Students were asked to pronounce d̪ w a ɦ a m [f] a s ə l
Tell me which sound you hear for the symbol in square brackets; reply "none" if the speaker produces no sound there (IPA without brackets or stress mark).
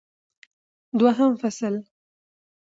f